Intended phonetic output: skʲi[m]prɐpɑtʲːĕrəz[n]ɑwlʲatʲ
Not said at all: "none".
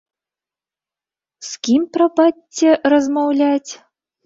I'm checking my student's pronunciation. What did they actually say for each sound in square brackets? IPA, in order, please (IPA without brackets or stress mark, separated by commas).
m, m